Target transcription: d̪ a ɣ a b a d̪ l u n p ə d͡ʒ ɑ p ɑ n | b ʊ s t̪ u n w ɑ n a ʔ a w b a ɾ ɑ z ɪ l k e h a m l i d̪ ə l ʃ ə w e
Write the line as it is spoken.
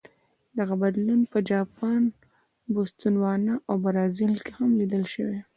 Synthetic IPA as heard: d̪ a ɣ a b a d̪ l u n p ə d͡ʒ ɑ p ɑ n | b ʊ s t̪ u n w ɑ n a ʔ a w b a ɾ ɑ z ɪ l k e h a m l i d̪ ə l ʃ ə w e